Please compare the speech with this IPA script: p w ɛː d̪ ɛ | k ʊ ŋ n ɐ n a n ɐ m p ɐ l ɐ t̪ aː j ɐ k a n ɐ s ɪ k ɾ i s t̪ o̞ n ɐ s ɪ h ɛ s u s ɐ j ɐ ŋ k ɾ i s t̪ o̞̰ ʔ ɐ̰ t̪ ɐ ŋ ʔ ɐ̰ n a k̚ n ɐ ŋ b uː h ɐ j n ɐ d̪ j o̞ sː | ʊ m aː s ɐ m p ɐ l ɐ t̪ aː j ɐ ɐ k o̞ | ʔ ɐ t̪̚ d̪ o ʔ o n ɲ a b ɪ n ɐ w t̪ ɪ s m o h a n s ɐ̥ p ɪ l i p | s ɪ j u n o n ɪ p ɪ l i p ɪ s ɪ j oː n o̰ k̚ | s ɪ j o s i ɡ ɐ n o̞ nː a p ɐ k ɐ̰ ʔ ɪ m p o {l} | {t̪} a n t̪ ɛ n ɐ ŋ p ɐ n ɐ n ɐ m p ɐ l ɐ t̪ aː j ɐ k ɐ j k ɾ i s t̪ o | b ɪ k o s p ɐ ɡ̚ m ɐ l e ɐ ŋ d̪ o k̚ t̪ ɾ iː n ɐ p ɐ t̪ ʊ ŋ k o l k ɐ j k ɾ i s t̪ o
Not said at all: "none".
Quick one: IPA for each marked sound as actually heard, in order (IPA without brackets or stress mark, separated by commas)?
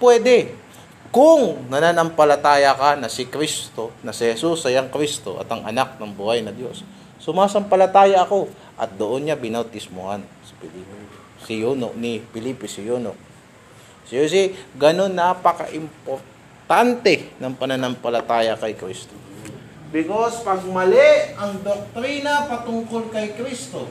ɾ, t̪